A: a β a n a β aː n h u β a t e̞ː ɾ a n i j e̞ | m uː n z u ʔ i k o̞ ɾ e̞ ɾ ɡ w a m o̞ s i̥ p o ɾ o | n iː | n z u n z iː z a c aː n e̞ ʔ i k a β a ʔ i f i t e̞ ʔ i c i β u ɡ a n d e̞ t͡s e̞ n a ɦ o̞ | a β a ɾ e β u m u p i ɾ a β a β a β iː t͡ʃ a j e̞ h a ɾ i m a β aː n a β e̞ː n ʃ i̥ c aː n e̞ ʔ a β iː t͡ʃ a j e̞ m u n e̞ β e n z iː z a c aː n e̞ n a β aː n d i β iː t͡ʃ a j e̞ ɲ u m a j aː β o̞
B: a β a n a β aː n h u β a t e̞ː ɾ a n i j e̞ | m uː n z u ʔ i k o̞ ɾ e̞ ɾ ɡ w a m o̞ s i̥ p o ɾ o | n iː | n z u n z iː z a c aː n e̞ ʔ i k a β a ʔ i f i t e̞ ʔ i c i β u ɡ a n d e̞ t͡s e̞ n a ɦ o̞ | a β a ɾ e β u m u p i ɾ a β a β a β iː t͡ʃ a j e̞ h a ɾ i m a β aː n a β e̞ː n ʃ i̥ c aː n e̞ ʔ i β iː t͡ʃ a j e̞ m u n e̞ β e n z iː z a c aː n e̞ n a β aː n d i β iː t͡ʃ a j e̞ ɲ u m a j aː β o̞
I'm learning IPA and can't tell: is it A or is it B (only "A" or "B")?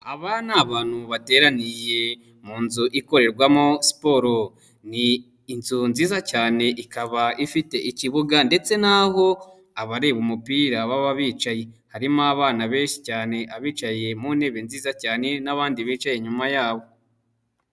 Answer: A